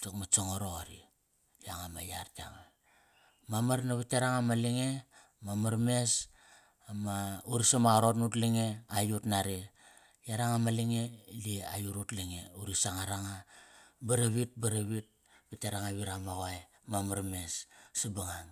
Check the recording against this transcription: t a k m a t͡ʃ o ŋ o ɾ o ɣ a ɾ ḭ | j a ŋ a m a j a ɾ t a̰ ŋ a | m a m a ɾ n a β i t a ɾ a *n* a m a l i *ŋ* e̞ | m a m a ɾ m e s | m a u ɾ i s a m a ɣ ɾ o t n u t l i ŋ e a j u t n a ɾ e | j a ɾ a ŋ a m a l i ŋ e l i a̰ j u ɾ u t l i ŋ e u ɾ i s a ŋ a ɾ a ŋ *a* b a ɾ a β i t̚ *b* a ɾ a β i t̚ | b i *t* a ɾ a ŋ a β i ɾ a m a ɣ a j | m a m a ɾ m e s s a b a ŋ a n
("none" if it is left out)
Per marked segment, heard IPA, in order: ŋ, ŋ, a, b, t

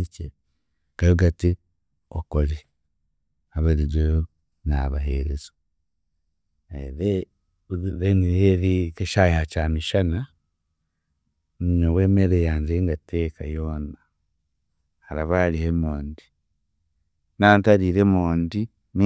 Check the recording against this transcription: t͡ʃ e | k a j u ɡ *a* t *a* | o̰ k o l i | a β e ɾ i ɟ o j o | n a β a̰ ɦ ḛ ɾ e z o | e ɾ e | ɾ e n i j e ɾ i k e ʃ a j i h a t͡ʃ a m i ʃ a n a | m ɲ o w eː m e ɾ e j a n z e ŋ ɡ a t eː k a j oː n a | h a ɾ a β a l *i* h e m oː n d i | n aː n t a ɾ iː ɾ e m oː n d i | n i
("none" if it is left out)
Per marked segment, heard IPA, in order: a, i, i

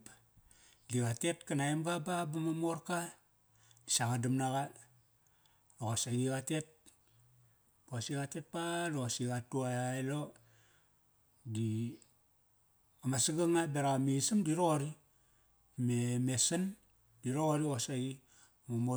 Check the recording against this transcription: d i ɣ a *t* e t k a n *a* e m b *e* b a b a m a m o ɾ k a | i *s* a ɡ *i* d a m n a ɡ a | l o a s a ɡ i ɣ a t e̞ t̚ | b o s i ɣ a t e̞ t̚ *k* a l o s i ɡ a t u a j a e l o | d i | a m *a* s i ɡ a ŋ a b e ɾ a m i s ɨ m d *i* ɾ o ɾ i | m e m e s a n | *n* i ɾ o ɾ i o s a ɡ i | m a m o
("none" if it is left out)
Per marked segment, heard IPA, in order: t, a, a, s, a, p, a, i, d

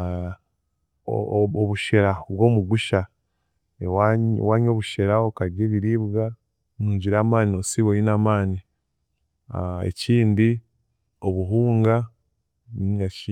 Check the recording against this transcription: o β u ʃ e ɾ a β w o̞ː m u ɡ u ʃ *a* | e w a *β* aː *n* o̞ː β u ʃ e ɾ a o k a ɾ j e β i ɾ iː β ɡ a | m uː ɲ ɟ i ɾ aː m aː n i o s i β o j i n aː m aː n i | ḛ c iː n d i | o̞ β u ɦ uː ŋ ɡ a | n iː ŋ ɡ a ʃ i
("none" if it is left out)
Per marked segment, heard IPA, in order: a, w, ɲ

